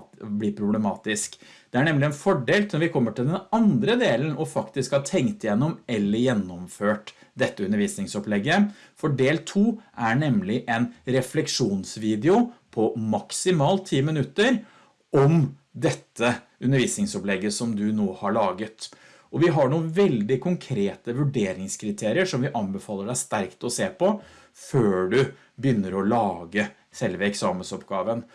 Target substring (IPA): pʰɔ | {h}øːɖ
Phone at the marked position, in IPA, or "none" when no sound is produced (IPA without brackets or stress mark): f